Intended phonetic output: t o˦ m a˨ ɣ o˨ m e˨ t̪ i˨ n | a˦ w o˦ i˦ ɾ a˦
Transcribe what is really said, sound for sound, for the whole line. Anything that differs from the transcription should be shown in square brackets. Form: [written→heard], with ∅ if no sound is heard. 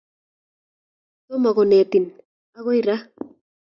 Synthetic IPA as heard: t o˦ m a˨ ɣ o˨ [m→n] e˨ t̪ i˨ n | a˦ [w→ɣ] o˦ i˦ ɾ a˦